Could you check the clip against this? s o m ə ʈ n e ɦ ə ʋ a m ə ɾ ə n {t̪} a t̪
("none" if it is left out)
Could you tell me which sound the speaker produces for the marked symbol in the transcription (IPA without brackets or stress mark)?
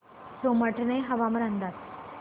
d̪